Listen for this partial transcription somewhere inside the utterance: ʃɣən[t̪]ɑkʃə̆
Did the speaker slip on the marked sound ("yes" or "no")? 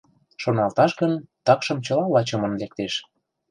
no